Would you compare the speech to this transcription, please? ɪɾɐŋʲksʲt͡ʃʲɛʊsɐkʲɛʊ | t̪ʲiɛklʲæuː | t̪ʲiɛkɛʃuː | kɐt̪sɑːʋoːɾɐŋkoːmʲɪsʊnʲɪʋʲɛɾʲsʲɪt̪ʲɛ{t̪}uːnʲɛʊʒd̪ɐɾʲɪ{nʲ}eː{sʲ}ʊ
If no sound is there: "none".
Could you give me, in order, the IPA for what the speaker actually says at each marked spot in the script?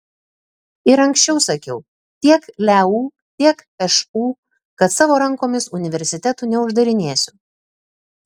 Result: t̪, nʲ, sʲ

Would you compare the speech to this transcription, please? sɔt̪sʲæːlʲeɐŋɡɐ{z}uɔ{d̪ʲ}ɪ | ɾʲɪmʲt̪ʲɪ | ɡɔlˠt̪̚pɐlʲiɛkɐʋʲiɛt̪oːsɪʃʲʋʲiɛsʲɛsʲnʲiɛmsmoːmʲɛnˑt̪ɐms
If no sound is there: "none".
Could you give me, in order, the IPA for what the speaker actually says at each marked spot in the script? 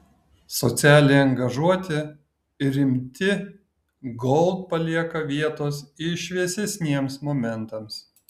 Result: ʒ, t̪ʲ

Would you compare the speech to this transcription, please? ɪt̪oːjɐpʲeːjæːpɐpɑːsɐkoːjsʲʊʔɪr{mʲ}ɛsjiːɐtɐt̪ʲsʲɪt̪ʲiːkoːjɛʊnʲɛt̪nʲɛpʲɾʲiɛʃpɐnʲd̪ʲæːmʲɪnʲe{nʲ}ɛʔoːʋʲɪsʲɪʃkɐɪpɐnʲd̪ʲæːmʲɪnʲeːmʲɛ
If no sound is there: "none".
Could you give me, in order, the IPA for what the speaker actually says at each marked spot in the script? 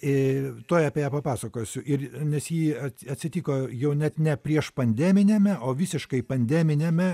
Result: nʲ, mʲ

